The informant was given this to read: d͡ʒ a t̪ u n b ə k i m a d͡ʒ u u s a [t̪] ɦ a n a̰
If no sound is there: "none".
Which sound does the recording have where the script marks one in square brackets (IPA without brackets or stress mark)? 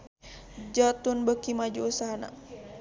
none